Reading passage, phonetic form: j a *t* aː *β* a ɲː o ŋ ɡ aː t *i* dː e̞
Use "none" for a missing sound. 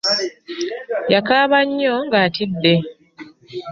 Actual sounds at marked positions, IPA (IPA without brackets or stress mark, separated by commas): k, β, i